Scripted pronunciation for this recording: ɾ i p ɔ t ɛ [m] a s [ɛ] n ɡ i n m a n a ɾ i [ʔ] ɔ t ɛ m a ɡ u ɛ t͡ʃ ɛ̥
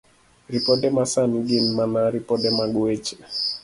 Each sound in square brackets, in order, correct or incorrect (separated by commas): correct, incorrect, incorrect